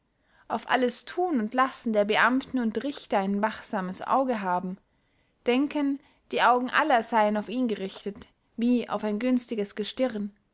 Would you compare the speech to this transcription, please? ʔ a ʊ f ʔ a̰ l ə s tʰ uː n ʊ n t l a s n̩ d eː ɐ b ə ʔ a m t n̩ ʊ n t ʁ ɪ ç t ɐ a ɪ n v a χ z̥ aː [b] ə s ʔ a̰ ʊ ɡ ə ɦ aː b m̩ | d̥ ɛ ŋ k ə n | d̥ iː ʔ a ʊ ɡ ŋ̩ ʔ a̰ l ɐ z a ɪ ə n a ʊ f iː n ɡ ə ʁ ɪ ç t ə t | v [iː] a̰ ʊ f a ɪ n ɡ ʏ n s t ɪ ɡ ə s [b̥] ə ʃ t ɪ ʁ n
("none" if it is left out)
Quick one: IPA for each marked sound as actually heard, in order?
m, iː, ɡ̥

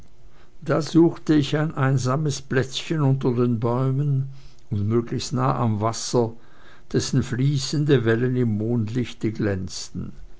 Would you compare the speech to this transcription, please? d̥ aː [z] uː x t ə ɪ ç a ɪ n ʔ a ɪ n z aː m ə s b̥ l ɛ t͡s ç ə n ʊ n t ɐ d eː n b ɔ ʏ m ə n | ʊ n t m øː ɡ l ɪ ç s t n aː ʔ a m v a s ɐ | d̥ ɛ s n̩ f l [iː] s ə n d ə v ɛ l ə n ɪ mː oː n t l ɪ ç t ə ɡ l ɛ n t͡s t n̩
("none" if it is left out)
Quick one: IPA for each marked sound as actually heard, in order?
z, iː

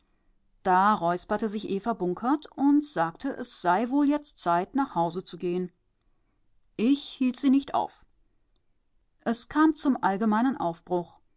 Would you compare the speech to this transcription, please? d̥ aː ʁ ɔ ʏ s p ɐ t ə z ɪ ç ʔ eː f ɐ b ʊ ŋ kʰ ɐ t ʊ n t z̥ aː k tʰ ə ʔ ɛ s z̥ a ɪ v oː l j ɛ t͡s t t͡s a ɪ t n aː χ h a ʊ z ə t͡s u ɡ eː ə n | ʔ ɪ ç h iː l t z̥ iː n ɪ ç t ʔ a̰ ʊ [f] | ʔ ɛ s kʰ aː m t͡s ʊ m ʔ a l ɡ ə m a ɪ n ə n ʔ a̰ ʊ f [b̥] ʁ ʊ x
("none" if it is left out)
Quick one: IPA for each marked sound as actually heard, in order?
f, b̥

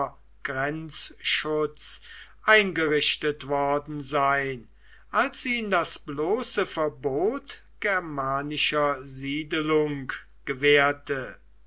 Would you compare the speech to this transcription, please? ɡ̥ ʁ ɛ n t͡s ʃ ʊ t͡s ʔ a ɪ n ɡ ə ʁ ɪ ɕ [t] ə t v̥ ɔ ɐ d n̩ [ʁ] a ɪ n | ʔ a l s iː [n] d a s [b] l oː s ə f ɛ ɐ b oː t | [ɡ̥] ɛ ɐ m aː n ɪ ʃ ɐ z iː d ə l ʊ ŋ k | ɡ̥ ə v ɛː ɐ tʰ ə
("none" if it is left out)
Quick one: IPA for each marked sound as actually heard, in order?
t, z, n, b, ɡ̥

